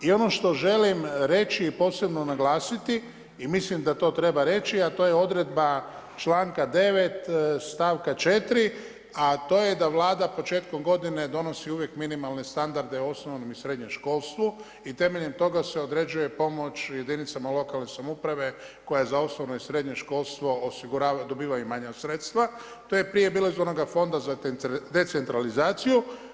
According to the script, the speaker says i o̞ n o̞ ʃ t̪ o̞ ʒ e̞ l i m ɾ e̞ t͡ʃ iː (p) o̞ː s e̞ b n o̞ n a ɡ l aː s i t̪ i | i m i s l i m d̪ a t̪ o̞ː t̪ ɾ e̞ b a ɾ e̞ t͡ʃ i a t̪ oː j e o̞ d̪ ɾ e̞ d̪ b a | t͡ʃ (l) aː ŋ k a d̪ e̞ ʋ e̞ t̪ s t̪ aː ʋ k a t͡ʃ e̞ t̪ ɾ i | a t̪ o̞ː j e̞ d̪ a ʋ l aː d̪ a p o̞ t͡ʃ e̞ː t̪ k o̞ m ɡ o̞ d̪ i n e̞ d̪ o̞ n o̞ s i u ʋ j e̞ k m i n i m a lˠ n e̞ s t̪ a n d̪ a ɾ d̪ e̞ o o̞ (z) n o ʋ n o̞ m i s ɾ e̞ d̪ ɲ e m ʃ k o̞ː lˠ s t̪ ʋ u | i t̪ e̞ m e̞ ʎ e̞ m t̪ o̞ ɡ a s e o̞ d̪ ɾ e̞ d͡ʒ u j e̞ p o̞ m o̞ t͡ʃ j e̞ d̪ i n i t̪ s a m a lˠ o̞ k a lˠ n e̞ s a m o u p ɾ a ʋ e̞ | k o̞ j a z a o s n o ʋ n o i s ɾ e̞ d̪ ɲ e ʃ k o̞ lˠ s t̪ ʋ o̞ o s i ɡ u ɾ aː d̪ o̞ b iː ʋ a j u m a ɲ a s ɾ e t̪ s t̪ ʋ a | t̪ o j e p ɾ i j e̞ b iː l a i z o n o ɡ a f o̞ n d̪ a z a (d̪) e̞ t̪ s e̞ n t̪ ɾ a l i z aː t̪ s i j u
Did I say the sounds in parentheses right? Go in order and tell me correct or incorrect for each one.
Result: correct, correct, incorrect: s, correct

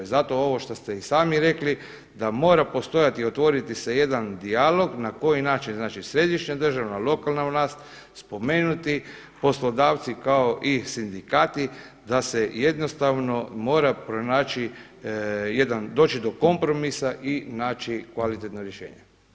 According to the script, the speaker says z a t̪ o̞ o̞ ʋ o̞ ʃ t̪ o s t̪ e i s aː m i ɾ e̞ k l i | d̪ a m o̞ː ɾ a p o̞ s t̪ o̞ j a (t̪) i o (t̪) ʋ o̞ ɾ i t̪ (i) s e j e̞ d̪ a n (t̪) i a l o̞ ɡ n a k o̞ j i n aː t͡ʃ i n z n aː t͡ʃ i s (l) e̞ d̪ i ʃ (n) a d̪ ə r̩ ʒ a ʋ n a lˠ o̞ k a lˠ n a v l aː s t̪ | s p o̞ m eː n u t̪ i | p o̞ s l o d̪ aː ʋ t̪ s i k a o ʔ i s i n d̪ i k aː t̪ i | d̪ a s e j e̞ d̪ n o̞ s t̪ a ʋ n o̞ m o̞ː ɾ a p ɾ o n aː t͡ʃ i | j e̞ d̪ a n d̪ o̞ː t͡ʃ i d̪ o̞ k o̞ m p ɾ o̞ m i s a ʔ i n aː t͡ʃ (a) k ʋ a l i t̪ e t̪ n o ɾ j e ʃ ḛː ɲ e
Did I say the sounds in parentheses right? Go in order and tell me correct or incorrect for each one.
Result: correct, correct, correct, incorrect: d̪, incorrect: ɾ, incorrect: ɲ, incorrect: i

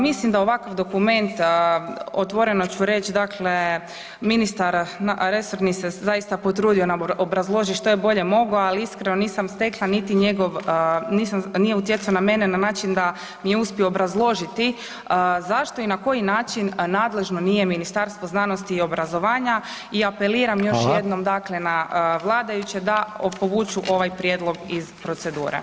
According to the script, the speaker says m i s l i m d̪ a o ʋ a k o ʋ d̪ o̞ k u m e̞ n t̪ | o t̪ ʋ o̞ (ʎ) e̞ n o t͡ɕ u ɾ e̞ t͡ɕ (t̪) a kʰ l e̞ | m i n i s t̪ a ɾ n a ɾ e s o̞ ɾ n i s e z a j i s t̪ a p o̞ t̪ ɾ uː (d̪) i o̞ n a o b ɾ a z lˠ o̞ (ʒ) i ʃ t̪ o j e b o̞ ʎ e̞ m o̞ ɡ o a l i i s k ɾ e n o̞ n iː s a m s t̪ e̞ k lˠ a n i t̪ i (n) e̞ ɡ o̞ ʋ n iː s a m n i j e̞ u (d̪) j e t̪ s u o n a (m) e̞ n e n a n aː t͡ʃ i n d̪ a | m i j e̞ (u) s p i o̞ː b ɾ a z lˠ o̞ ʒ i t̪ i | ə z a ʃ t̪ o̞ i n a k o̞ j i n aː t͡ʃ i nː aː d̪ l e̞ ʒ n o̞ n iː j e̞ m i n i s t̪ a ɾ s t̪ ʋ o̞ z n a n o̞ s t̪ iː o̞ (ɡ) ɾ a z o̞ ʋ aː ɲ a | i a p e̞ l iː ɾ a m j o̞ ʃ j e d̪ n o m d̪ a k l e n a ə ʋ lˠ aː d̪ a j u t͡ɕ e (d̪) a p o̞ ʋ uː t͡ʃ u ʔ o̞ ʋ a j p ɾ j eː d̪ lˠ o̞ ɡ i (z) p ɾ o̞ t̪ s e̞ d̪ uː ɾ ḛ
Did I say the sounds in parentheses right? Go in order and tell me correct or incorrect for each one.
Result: incorrect: ɾ, incorrect: d̪, correct, correct, incorrect: ɲ, incorrect: t̪, correct, correct, incorrect: b, correct, correct

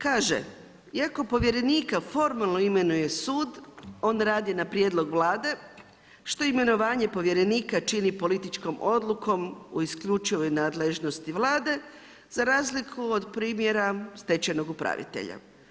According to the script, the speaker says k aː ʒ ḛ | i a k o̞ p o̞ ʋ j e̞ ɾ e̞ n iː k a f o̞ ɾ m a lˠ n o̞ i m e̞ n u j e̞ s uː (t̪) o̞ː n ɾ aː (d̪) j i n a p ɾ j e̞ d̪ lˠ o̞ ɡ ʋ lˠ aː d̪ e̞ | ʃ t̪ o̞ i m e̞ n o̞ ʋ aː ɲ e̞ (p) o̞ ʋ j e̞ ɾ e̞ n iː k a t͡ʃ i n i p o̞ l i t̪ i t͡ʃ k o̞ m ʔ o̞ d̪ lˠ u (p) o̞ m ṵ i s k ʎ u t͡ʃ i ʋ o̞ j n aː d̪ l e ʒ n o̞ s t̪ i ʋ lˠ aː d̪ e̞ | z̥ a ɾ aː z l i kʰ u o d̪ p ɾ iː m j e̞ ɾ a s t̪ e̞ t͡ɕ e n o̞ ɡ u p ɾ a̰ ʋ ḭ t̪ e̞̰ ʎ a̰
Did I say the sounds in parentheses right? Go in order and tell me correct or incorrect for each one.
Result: incorrect: d̪, correct, correct, incorrect: k

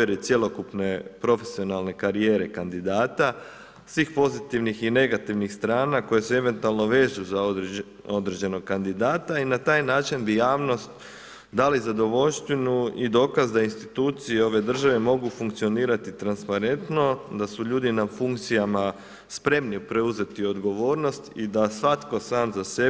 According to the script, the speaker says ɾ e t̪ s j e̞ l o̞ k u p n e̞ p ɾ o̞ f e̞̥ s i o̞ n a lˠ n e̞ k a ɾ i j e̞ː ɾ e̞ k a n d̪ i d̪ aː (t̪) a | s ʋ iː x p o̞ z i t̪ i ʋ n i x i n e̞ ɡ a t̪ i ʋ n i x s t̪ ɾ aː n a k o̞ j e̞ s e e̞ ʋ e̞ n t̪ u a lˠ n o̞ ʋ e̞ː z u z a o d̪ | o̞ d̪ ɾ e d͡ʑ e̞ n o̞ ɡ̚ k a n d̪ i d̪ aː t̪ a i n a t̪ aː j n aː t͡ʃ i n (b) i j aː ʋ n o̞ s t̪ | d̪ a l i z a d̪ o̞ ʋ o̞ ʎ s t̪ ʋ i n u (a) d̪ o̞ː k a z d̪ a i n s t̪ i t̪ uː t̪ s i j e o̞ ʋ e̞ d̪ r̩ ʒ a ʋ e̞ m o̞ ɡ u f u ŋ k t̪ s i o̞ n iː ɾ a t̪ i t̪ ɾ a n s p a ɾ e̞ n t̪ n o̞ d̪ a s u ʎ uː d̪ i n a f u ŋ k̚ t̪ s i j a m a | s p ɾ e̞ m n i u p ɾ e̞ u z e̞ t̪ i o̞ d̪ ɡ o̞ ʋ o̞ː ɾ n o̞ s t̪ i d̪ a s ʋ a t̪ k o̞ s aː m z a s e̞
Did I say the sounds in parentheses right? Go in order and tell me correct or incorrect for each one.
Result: correct, correct, incorrect: i

